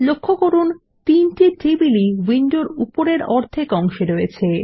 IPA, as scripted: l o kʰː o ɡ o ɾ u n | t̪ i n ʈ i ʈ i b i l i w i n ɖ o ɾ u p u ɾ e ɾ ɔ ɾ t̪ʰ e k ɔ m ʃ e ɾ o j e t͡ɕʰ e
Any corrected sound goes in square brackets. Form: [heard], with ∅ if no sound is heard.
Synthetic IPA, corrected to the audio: l o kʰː o [k] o ɾ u n | t̪ i n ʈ i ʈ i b i l i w i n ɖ o ɾ u p [o] ɾ e ɾ ɔ ɾ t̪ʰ e k ɔ [ŋ] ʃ e ɾ o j e t͡ɕʰ e

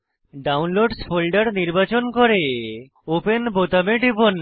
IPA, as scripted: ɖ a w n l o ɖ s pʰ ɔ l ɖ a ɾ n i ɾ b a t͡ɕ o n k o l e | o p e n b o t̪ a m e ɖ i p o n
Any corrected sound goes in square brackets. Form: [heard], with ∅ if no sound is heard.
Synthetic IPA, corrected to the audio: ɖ a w n l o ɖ s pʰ [o] l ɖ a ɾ n i ɾ b a t͡ɕ o n k o [ɾ] e | o p e n b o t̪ a m e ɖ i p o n

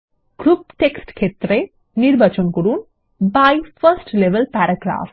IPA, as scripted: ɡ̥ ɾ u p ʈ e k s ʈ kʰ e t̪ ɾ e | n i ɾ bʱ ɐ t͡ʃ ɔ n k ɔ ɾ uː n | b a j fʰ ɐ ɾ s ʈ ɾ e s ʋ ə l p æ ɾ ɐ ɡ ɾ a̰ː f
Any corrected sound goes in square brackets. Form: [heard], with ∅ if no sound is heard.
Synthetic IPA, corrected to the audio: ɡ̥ ɾ u p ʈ e k s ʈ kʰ e t̪ ɾ e | n i ɾ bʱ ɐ t͡ʃ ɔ n k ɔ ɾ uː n | b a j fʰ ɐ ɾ s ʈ [l] e [∅] ʋ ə l p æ ɾ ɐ ɡ ɾ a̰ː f

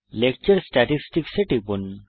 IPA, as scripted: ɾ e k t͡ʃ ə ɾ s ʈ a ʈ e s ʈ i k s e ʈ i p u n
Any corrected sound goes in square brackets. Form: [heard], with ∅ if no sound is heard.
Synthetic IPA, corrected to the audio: [l] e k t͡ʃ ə ɾ s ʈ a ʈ [i] s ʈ i k s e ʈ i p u n

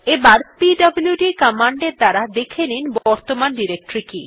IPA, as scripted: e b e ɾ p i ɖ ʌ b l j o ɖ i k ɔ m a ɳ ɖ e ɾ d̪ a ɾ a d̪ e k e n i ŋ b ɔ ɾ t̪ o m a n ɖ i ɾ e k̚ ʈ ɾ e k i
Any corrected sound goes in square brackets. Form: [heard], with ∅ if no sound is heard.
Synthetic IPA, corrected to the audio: e b [a] ɾ p i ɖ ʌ b l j [u] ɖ i k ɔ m a ɳ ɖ e ɾ d̪ a ɾ a d̪ e [kʰ] e n i [n] b ɔ ɾ t̪ o m a n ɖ i ɾ e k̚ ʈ ɾ [i] k i

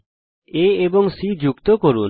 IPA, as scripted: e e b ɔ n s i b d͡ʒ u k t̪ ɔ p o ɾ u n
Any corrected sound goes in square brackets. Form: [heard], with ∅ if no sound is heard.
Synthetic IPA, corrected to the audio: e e b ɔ [ŋ] s i [∅] d͡ʒ u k t̪ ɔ [k] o ɾ u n

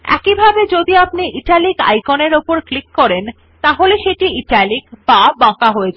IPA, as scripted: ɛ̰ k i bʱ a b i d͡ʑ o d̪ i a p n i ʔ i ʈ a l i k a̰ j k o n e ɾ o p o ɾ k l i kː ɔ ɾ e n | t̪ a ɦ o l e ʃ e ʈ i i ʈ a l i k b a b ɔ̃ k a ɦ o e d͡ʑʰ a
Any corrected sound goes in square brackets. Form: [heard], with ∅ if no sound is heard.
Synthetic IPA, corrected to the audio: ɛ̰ k i bʱ a b [e] d͡ʑ o d̪ i a p n i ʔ i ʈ a l i k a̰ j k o n e ɾ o p o ɾ k l i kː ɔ ɾ e n | t̪ a ɦ o l e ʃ e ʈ i i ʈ a l i k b a b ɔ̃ k a ɦ o e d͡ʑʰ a

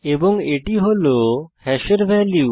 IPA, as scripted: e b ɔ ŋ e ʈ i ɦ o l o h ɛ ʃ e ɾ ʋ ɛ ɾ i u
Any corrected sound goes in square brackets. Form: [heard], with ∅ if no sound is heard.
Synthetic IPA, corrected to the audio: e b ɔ ŋ e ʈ i ɦ o l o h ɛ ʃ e ɾ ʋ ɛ [l] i u

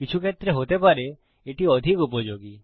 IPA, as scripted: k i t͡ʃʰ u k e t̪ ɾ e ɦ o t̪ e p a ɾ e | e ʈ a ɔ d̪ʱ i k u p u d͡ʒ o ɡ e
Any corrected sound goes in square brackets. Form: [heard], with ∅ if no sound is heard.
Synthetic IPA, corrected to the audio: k i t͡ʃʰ u k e t̪ ɾ e ɦ o t̪ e p a ɾ e | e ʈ [i] ɔ d̪ʱ i k u p [ɔ] d͡ʒ o ɡ [i]

